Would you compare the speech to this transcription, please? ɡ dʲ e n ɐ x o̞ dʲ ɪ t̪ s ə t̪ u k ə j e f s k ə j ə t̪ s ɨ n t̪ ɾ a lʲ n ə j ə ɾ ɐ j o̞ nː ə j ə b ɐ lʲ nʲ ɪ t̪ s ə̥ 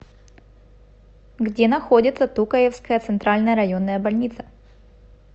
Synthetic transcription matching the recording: ɡ dʲ e n ɐ x o̞ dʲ ɪ t̪ s ə t̪ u k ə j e f s k ə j ə t̪ s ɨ n t̪ ɾ a lʲ n ə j ə ɾ ɐ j o̞ nː ə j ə b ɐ lʲ nʲ i t̪ s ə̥